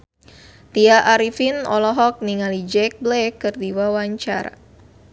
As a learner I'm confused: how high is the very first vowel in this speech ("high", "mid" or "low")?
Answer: high